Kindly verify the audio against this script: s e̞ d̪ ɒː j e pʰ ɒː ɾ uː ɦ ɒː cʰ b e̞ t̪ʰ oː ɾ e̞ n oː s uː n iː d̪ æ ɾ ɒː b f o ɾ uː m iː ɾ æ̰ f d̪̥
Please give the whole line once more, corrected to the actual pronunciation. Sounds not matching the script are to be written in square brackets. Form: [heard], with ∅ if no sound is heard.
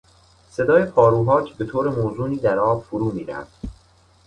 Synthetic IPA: s e̞ d̪ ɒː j e pʰ ɒː ɾ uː ɦ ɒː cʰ b e̞ t̪ʰ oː ɾ e̞ [m] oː [z] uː n iː d̪ æ ɾ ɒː b f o ɾ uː m iː ɾ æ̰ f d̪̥